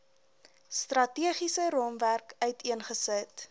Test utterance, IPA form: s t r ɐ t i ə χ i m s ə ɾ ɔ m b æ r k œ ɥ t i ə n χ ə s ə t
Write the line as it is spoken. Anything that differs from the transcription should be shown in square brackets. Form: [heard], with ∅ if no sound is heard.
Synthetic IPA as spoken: s t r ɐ t i ə χ i [∅] s ə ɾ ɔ m [v] æ r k œ ɥ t i ə n χ ə s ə t